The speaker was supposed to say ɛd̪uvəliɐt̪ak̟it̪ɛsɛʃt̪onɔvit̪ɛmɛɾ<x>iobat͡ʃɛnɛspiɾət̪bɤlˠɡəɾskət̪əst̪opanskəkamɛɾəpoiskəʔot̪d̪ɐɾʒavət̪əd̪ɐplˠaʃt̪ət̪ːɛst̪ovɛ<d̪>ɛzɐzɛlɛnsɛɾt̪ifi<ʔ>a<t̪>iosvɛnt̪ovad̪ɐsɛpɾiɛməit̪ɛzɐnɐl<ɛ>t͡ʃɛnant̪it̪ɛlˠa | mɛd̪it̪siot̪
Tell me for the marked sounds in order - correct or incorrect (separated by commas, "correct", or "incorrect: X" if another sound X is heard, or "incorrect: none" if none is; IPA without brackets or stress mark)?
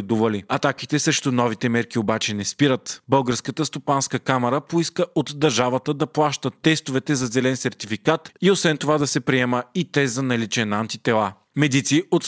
incorrect: k, incorrect: t̪, incorrect: k, correct, incorrect: i